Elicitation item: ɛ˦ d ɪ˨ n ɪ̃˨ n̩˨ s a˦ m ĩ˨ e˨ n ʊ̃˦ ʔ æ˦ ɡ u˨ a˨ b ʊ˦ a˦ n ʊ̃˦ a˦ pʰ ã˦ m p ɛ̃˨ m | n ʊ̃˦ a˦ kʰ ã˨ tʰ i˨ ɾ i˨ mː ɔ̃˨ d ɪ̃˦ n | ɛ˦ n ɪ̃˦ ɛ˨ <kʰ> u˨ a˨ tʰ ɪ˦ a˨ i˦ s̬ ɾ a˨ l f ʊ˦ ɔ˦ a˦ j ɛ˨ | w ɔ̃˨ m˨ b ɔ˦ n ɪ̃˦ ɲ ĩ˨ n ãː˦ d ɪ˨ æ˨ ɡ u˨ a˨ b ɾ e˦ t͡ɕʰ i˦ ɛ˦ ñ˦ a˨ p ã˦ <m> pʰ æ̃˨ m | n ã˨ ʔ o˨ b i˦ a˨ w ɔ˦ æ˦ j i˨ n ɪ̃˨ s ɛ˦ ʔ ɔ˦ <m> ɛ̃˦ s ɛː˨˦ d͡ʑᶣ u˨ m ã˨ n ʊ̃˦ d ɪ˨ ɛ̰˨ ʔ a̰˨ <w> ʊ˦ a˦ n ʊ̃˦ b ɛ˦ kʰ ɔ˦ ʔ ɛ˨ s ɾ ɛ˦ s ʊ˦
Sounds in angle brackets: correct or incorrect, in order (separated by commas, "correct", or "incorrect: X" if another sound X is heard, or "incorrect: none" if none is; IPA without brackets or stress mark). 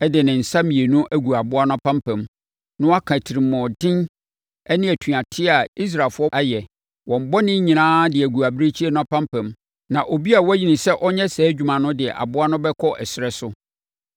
incorrect: tʰ, correct, incorrect: ɲ, incorrect: b